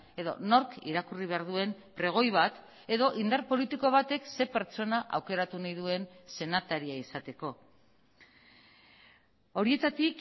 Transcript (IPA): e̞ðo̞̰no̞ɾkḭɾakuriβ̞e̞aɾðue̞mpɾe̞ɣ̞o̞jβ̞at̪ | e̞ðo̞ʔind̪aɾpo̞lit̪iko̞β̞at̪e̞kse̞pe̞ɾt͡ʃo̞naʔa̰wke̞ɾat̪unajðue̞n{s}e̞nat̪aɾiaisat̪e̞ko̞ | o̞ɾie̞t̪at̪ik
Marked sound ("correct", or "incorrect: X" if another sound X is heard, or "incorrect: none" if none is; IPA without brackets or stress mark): correct